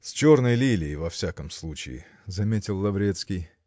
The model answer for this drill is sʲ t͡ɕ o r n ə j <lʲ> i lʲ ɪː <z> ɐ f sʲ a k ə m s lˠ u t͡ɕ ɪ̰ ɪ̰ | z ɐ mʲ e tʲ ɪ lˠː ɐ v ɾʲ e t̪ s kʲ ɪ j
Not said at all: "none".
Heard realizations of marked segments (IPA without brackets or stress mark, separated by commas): lʲ, v